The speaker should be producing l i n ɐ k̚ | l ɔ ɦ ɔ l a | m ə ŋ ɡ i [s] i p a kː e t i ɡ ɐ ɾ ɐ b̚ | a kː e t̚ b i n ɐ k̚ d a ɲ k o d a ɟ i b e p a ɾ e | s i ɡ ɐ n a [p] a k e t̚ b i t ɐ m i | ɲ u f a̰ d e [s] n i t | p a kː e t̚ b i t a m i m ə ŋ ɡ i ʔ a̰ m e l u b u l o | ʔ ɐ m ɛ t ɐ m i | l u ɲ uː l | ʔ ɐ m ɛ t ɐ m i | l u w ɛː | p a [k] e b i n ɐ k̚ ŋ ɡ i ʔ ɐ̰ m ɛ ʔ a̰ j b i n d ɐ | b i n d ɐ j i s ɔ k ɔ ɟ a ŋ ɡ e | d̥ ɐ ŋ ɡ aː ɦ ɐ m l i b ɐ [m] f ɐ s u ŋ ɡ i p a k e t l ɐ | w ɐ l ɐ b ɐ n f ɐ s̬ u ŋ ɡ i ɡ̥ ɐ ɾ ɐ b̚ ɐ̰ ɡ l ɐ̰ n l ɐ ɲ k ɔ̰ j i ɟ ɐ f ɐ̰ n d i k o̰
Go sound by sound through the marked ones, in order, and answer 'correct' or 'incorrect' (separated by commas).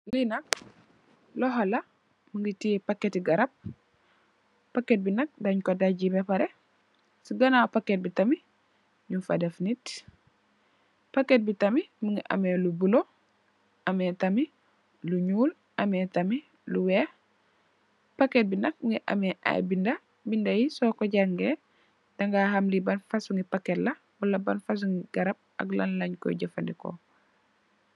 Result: incorrect, correct, incorrect, correct, incorrect